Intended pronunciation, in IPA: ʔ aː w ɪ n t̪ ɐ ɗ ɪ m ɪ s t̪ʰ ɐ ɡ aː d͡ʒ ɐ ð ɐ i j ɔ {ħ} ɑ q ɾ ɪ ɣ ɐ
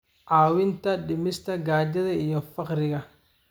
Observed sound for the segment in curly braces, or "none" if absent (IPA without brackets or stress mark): f